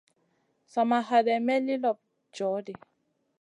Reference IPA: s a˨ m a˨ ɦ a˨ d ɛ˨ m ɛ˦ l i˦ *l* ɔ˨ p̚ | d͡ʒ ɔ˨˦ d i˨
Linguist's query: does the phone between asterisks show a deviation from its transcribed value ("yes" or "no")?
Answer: no